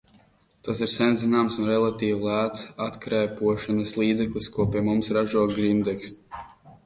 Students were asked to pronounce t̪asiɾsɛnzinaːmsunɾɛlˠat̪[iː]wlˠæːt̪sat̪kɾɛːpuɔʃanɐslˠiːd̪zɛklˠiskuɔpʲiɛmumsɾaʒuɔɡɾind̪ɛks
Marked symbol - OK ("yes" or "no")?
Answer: yes